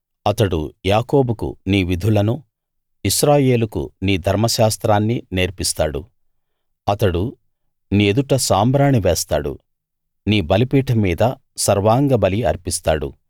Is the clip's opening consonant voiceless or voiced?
voiceless